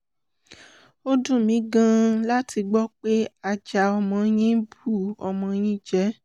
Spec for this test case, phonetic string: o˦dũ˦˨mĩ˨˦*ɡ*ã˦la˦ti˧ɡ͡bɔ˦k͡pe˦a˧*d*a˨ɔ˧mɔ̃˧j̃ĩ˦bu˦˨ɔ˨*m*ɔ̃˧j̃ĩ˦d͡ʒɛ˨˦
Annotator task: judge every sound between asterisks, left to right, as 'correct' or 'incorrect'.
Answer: correct, incorrect: d͡ʒ, correct

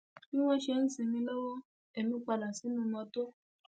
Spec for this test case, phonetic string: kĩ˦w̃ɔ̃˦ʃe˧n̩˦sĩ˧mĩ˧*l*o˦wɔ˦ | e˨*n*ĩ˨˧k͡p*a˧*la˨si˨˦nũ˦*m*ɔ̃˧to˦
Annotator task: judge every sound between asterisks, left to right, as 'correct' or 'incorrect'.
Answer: correct, incorrect: m, correct, correct

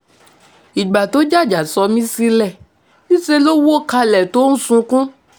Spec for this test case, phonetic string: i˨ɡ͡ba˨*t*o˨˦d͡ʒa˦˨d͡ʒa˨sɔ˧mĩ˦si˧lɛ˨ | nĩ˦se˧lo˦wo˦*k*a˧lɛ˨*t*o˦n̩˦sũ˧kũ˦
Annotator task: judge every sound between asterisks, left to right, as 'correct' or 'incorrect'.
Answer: correct, correct, correct

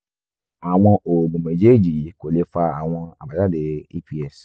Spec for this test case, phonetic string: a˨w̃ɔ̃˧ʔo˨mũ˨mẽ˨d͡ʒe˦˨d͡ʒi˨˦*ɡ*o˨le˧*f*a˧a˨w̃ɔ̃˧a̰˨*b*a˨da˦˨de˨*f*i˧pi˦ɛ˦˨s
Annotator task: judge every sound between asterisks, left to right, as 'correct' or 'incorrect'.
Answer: incorrect: k, correct, correct, incorrect: none

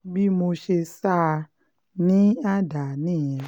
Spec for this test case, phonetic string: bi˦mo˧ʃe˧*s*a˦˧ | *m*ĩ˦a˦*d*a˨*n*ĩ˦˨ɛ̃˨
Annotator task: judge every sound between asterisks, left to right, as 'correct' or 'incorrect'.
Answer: correct, incorrect: n, correct, correct

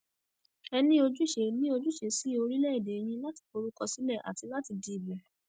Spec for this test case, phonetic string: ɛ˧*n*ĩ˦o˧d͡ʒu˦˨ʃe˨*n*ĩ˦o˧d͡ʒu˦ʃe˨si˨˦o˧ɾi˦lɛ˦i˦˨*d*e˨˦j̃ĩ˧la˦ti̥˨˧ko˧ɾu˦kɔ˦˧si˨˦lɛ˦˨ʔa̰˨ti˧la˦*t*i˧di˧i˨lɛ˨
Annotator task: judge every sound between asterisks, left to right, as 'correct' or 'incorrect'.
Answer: correct, correct, correct, correct

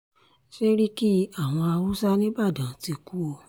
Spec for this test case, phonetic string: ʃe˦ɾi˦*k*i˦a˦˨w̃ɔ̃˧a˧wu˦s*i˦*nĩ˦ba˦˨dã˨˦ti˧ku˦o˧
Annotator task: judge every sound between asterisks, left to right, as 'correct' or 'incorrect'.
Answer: correct, incorrect: a˦

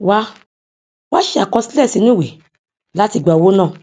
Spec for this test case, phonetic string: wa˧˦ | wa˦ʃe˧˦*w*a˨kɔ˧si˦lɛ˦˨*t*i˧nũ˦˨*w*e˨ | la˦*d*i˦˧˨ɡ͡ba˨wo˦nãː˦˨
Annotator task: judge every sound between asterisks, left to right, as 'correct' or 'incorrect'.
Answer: incorrect: none, incorrect: s, correct, incorrect: t

